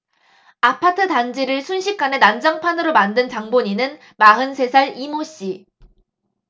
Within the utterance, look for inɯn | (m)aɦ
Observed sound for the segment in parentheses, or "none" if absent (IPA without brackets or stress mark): m